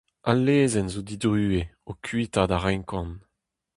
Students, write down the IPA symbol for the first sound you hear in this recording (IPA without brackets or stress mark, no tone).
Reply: a